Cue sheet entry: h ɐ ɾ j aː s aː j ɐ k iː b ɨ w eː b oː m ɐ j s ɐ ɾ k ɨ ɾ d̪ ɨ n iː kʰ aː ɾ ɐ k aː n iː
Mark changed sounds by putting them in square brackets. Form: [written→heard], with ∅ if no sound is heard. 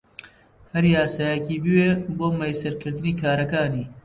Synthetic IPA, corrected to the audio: h ɐ ɾ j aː s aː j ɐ k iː b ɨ w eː b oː m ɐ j s ɐ ɾ k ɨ ɾ d̪ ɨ n iː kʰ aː ɾ ɐ k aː n iː